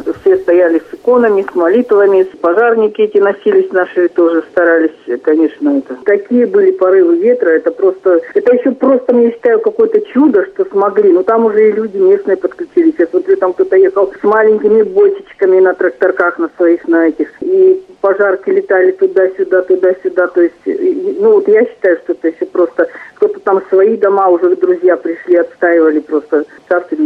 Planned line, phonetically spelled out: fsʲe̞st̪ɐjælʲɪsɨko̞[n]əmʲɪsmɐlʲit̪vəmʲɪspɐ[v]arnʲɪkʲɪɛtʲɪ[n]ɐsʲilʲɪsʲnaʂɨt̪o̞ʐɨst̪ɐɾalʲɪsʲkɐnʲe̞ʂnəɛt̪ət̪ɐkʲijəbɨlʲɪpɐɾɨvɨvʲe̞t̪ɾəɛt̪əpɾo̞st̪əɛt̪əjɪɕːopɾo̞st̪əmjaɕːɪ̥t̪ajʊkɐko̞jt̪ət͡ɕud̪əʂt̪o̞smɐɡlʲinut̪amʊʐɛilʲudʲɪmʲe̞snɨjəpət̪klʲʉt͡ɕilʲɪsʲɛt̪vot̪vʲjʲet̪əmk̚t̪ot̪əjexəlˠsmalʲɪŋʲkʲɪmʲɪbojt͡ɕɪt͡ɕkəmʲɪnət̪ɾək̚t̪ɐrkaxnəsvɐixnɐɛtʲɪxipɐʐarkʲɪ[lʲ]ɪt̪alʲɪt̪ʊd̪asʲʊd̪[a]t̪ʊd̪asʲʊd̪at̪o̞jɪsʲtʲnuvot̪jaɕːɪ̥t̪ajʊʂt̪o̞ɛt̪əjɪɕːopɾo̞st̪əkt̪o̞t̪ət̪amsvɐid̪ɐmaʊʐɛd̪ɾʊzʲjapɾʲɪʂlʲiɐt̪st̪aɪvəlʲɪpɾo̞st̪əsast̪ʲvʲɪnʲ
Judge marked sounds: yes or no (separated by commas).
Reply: yes, no, yes, yes, yes